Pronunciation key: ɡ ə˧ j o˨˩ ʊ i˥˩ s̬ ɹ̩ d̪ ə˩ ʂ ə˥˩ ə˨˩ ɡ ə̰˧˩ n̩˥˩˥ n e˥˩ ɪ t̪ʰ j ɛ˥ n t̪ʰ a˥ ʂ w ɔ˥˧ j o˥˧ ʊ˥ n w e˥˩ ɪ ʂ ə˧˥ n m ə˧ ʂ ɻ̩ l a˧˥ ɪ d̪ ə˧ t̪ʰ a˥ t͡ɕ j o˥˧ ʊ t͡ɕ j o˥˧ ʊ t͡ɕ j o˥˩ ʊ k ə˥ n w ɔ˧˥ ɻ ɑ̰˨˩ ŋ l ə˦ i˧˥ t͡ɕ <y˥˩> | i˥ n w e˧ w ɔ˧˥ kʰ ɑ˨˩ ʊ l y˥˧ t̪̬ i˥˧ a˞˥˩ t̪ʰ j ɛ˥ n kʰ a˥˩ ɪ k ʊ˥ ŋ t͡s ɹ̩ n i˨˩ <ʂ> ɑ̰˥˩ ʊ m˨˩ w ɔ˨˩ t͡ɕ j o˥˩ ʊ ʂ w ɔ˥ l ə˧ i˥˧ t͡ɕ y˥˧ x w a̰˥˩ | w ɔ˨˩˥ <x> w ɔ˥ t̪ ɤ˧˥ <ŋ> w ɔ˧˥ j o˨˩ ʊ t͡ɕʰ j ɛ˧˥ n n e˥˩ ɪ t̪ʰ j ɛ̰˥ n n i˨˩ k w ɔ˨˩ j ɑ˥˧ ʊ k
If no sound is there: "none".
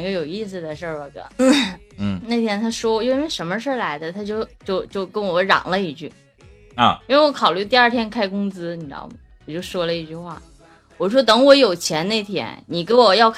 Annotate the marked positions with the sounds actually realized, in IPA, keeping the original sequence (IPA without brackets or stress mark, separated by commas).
y˥˩, ʈ͡ʂ, ʂ, ŋ